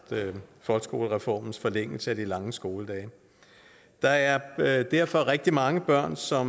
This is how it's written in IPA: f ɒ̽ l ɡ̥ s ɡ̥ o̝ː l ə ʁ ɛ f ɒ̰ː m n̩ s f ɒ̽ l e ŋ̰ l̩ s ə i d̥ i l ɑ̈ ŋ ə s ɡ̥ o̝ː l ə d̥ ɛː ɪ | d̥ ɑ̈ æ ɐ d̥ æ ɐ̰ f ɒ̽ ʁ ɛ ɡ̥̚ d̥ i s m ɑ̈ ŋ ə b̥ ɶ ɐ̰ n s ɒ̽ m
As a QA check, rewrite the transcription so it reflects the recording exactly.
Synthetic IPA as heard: f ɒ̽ l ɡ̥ s ɡ̥ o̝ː l ə ʁ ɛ f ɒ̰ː m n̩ s f ɒ̽ l e ŋ̰ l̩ s ə æ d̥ i l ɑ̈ ŋ ə s ɡ̥ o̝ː l ə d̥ ɛː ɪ | d̥ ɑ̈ æ ɐ d̥ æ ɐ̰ f ɒ̽ ʁ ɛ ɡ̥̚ d̥ i m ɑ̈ ŋ ə b̥ ɶ ɐ̰ n s ɒ̽ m